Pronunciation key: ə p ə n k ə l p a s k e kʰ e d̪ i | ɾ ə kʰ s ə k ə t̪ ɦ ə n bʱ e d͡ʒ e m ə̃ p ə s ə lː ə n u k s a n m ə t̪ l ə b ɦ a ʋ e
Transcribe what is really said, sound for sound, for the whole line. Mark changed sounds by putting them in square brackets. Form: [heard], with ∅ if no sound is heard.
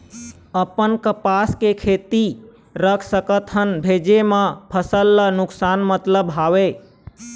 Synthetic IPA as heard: ə p ə n k ə [∅] p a s k e kʰ e [t̪] i | ɾ ə kʰ s ə k ə t̪ ɦ ə n bʱ e d͡ʒ e m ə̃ [pʰ] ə s ə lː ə n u k s a n m ə t̪ l ə b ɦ a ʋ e